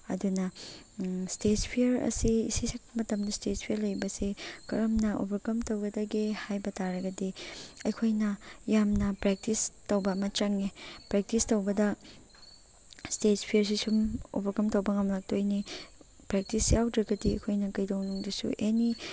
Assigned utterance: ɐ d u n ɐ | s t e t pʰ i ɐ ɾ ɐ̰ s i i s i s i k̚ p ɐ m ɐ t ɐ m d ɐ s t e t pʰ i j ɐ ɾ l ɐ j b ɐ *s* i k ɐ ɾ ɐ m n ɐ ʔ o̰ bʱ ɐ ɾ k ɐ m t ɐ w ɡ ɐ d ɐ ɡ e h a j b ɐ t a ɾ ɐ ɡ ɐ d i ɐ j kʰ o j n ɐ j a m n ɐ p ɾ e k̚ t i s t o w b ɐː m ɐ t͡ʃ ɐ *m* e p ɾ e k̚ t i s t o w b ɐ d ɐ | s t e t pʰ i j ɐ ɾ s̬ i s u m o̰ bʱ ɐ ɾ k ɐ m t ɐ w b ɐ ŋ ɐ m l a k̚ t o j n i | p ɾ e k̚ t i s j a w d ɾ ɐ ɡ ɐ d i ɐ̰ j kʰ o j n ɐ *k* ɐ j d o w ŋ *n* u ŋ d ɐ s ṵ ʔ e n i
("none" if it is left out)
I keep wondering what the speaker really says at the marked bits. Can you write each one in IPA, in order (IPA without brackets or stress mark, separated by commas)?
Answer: s, ŋ, k, n